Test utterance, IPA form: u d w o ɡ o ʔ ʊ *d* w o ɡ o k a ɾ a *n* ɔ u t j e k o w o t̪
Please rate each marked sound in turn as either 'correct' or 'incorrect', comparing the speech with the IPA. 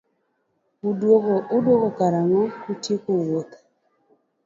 correct, incorrect: ŋ

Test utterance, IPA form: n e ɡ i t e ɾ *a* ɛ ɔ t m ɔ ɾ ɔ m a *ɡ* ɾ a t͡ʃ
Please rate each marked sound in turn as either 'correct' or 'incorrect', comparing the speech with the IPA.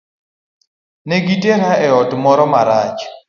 correct, incorrect: none

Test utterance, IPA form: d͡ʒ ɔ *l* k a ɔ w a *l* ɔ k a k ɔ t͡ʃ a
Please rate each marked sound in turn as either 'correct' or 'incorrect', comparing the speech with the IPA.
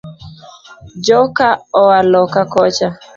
incorrect: none, correct

